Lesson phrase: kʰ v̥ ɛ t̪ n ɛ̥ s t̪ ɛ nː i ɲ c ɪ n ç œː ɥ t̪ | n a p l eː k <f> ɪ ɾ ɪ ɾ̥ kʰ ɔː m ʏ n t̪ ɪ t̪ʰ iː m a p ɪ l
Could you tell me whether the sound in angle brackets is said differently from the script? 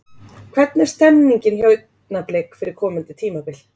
no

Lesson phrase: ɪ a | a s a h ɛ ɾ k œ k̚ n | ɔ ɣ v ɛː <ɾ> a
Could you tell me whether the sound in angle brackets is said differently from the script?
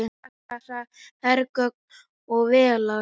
yes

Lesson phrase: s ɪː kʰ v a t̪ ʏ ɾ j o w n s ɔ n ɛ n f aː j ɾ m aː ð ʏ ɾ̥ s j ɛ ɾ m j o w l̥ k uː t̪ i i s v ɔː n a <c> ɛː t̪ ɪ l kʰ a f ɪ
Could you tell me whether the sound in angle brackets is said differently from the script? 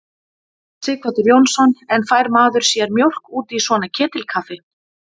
yes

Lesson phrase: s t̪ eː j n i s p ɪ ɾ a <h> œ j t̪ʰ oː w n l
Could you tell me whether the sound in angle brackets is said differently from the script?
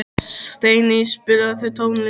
yes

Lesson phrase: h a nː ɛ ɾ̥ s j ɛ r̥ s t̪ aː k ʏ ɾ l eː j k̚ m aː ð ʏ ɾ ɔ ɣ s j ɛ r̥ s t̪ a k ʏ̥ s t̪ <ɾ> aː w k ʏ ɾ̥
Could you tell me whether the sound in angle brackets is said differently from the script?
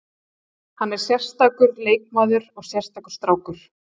no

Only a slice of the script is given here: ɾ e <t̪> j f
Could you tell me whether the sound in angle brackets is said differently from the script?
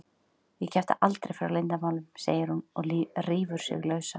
yes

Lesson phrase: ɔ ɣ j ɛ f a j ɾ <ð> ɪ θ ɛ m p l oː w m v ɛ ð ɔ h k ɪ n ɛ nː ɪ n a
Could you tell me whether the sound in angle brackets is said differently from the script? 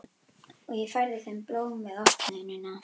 no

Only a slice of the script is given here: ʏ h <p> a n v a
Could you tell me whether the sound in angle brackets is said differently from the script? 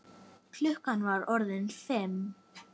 yes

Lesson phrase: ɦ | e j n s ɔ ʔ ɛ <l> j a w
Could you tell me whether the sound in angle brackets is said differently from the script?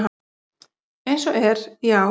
yes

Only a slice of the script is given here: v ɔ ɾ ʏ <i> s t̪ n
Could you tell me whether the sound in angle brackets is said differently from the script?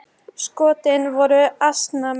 yes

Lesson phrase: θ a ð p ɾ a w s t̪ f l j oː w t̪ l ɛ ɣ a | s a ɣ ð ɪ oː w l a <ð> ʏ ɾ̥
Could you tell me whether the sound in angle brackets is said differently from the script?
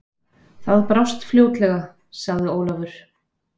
yes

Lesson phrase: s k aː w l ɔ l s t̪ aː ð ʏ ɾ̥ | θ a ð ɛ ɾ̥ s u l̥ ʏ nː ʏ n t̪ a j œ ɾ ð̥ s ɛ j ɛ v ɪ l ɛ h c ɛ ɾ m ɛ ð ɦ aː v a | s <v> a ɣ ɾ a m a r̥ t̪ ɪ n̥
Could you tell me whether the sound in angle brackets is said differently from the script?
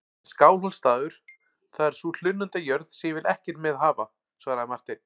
no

